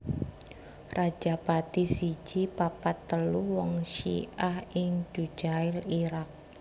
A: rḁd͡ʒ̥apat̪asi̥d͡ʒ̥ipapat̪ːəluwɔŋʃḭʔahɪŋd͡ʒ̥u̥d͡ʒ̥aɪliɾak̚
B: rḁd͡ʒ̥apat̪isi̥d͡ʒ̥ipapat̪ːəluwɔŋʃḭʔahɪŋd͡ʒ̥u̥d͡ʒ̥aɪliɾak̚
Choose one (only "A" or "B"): B